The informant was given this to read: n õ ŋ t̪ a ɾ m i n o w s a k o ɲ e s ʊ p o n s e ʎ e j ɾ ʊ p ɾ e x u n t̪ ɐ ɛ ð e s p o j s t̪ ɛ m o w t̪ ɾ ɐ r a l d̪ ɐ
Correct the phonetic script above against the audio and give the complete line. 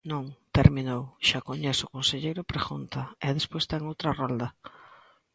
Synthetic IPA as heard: n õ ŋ t̪ e ɾ m i n o w ʃ a k o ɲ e s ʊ k o n s e ʎ e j ɾ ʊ p ɾ e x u n t̪ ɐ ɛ ð e s p o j s t̪ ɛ ŋ o w t̪ ɾ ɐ r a l d̪ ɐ